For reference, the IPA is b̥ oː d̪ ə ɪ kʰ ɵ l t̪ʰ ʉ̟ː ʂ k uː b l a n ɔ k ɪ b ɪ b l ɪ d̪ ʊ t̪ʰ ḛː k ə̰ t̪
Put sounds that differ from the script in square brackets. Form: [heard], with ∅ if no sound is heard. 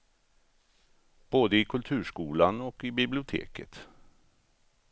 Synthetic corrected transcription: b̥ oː d̪ ə ɪ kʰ ɵ l t̪ʰ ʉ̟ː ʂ k uː [∅] l a n ɔ k ɪ b ɪ b l ɪ [∅] ʊ t̪ʰ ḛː k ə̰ t̪